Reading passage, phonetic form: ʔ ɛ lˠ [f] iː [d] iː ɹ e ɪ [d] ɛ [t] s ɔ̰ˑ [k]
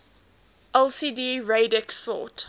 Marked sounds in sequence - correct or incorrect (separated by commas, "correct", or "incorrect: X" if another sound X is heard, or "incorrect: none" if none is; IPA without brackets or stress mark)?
incorrect: s, correct, correct, incorrect: k, incorrect: t